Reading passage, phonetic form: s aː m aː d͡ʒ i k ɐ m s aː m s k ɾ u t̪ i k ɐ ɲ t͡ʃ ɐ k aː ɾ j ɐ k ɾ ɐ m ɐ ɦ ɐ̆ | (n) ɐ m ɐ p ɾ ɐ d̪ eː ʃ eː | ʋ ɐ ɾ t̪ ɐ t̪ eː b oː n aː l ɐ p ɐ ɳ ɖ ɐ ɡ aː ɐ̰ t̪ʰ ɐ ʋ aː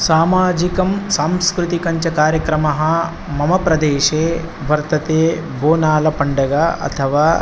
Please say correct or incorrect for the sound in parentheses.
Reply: incorrect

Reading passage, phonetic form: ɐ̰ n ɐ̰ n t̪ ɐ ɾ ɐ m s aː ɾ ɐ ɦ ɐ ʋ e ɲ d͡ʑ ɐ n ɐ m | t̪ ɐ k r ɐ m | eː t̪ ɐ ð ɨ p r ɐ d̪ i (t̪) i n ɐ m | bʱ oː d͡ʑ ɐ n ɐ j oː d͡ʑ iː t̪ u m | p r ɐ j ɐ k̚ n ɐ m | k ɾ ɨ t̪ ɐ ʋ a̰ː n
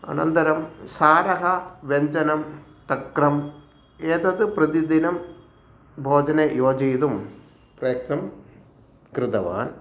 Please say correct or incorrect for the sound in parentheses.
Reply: incorrect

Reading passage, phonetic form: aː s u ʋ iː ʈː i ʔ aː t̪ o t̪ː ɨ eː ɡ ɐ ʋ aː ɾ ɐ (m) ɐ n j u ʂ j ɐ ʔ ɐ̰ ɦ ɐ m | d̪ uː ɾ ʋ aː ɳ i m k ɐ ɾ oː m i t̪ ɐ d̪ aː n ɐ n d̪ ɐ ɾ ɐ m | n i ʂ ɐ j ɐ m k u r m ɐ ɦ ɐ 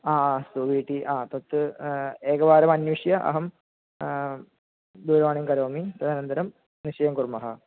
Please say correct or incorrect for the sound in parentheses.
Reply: correct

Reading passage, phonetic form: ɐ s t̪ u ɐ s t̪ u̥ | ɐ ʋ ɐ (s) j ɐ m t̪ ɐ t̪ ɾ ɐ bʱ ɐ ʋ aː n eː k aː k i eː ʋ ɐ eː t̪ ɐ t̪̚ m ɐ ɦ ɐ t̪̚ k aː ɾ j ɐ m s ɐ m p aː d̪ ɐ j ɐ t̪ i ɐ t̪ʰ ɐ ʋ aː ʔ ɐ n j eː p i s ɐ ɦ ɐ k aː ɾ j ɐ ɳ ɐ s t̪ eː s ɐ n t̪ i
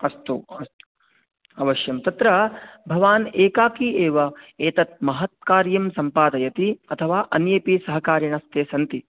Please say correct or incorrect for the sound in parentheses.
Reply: incorrect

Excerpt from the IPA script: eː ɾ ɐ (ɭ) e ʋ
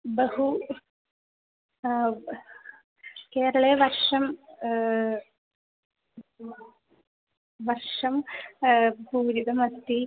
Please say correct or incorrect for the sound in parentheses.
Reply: correct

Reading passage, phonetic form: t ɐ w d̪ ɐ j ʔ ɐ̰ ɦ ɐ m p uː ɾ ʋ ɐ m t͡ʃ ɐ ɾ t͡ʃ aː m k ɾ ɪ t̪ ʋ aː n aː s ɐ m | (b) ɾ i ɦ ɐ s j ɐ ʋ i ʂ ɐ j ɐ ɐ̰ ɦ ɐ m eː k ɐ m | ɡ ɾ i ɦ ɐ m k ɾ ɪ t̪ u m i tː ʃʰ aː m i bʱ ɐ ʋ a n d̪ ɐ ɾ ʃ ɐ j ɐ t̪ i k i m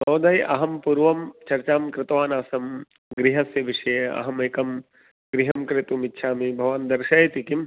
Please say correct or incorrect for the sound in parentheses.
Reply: incorrect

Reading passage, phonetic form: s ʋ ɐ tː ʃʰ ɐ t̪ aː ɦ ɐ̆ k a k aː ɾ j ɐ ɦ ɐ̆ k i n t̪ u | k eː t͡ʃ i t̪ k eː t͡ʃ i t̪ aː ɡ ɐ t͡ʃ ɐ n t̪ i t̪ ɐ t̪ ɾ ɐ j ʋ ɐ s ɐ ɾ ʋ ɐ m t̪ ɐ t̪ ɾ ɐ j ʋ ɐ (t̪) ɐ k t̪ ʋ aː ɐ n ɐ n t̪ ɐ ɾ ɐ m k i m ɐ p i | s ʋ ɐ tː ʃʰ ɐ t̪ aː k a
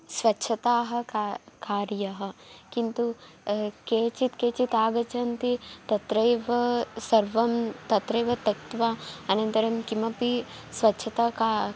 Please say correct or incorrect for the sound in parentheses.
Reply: correct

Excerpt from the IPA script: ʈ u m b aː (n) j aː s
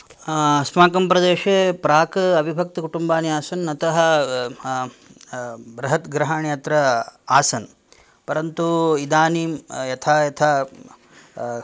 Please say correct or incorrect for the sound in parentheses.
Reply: correct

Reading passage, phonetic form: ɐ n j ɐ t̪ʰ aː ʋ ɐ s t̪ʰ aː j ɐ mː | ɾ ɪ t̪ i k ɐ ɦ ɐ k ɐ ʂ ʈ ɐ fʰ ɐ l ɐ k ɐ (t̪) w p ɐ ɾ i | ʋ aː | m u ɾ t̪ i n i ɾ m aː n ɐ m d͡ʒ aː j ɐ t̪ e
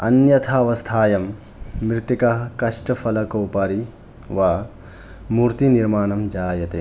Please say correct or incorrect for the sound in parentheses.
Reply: incorrect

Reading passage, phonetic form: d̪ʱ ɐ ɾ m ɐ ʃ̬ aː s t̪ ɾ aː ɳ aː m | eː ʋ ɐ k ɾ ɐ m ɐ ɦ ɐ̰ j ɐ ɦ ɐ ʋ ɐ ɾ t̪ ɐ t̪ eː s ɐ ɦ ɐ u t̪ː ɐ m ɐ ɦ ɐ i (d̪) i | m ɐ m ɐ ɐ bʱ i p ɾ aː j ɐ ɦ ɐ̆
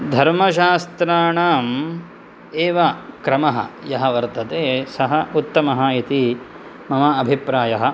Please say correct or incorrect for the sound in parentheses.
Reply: incorrect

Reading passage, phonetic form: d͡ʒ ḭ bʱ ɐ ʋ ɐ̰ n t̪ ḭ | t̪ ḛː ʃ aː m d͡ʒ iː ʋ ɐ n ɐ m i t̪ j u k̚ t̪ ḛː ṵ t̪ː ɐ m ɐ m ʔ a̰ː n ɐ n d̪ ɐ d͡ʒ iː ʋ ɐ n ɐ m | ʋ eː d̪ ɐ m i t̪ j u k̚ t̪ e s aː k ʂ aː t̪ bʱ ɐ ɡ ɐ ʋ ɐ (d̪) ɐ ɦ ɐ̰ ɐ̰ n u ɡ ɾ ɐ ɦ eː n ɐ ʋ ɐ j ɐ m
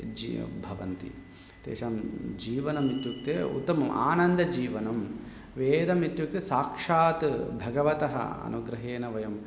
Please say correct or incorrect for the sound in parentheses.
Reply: incorrect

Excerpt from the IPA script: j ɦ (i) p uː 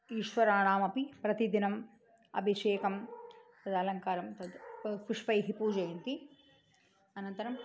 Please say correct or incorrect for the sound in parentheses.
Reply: correct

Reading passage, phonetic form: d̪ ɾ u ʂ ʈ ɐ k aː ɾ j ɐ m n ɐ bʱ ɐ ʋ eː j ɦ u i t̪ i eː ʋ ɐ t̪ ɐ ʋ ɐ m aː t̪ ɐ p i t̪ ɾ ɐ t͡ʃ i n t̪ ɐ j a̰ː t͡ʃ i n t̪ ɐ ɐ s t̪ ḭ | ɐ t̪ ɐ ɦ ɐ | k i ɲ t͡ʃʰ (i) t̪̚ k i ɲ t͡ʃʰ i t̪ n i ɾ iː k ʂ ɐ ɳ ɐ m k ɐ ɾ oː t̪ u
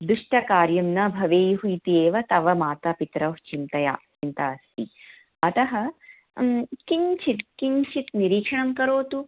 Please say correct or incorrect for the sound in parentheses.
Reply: correct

